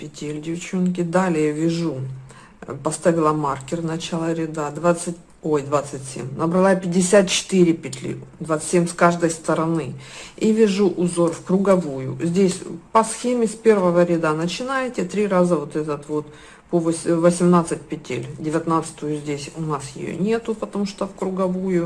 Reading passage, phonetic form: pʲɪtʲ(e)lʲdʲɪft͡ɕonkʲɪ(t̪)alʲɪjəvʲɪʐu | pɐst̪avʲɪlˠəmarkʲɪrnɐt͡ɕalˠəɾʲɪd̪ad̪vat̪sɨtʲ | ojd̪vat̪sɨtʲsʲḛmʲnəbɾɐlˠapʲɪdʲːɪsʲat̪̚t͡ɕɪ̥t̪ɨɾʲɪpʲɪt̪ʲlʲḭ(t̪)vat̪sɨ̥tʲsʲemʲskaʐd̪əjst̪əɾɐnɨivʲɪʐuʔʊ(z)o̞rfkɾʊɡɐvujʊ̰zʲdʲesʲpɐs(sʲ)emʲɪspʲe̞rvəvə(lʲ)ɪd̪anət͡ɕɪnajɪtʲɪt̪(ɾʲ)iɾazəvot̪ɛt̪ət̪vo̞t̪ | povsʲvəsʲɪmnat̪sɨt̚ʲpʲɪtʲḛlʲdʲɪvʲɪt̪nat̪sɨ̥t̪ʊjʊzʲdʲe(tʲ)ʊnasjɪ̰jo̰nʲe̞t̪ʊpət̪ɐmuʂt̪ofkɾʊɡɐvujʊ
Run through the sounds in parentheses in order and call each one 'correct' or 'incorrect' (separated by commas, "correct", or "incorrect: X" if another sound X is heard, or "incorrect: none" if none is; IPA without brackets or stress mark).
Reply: correct, incorrect: d̪, incorrect: d̪, correct, incorrect: xʲ, incorrect: ɾʲ, correct, incorrect: sʲ